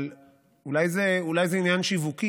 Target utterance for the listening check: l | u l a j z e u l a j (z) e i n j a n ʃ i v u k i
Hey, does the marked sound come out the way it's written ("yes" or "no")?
yes